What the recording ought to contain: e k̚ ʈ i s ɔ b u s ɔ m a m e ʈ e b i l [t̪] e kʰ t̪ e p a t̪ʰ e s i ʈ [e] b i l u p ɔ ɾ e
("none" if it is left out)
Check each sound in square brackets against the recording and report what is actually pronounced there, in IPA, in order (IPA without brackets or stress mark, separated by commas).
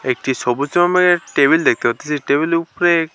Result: d̪, e